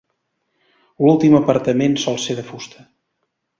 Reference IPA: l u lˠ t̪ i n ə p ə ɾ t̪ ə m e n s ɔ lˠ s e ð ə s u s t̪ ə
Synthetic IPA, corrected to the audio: l u lˠ t̪ i m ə p ə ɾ t̪ ə m e n s ɔ lˠ s e ð ə f u s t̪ ə